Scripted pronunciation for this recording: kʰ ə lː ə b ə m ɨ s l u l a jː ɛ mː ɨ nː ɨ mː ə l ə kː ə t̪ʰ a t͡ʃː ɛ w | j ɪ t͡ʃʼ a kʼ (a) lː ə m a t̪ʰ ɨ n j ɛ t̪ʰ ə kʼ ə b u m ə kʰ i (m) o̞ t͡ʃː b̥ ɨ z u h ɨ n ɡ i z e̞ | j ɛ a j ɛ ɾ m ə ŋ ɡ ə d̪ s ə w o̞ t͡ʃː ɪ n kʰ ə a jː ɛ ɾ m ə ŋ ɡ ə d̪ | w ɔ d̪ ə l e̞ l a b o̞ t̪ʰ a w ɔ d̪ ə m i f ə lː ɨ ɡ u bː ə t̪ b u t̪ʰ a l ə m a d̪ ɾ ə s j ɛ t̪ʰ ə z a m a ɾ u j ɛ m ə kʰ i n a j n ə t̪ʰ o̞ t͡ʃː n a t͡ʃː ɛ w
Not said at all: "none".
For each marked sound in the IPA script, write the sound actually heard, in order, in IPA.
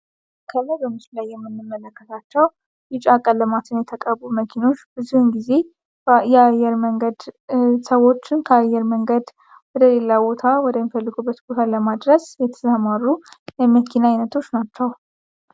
ə, n

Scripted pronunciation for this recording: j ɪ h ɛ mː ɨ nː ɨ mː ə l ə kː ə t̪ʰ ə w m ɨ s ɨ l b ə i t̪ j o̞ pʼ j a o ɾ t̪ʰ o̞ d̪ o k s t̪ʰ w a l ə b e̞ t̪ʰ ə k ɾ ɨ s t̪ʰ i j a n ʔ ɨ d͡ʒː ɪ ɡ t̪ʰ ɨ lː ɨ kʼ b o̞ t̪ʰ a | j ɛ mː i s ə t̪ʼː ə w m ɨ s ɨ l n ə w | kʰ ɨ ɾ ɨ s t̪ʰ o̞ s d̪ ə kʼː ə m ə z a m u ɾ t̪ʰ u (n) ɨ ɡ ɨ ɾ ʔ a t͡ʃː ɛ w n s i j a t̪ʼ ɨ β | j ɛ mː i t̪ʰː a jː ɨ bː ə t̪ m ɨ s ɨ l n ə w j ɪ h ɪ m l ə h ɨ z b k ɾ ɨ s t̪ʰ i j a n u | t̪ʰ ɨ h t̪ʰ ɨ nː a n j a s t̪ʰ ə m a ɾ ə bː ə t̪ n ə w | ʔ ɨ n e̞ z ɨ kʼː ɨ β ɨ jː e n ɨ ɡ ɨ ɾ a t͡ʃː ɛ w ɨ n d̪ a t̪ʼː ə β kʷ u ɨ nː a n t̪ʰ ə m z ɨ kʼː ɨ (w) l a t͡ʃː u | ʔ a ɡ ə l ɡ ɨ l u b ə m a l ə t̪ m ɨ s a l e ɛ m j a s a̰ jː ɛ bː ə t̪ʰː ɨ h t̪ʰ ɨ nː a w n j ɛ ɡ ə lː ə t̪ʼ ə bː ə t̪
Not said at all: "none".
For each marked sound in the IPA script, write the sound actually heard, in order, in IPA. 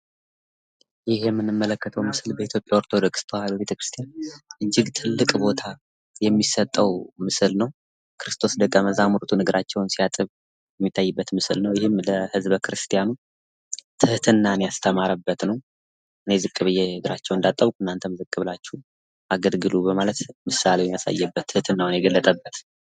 n, β

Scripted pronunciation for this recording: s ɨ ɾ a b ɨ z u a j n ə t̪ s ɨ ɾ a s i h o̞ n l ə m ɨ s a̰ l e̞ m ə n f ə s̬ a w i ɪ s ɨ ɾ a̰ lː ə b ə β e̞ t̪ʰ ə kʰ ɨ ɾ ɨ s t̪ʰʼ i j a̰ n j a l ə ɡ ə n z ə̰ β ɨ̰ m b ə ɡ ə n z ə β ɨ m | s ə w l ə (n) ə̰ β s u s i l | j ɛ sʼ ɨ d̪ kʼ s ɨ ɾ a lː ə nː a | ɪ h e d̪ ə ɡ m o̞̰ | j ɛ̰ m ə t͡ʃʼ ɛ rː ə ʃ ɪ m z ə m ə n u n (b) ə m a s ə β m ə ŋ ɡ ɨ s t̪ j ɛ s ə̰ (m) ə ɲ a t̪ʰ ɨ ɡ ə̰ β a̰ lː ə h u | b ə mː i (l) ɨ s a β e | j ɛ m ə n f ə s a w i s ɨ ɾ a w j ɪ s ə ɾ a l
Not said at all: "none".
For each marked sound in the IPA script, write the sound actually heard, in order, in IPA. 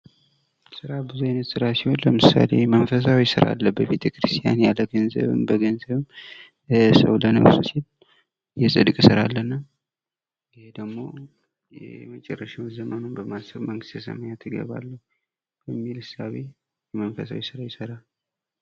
n, b, m, l

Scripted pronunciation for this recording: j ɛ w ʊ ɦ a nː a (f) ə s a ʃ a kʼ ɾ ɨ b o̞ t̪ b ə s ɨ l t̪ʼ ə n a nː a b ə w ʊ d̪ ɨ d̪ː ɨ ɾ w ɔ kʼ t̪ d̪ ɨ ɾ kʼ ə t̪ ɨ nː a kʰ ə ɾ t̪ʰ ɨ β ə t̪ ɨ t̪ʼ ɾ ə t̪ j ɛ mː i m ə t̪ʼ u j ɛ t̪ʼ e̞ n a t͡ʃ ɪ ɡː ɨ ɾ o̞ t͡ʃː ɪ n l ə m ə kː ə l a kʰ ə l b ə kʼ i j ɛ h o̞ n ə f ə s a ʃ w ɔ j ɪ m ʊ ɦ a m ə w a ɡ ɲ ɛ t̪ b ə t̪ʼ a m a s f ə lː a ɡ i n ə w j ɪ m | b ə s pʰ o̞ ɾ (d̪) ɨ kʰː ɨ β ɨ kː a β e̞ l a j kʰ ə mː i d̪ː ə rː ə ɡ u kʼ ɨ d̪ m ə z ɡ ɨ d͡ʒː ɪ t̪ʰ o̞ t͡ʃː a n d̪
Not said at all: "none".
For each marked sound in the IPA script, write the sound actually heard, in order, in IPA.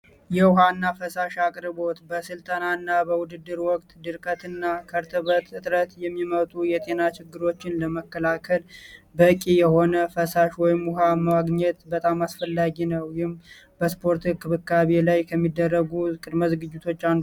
f, t̪

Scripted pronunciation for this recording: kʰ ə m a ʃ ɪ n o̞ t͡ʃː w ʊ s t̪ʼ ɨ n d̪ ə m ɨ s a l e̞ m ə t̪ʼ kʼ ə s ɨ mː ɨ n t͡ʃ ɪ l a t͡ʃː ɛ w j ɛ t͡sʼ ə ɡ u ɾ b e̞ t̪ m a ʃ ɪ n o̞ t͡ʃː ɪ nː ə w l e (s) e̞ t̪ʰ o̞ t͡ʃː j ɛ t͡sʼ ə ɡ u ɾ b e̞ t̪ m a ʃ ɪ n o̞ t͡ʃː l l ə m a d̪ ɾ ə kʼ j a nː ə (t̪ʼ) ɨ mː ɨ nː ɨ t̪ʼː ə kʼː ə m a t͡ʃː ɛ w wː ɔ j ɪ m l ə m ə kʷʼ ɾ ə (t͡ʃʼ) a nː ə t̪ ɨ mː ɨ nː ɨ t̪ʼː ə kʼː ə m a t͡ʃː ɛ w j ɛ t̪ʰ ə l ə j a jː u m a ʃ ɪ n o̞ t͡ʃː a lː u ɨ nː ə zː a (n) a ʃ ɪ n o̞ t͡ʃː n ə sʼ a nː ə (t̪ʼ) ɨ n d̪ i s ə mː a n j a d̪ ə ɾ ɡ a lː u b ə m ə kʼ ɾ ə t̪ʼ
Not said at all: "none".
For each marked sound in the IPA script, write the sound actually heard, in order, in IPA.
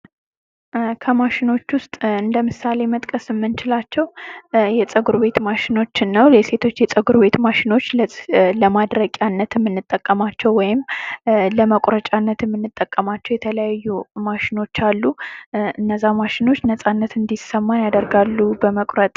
s, t̪, t͡ʃʼ, m, t̪

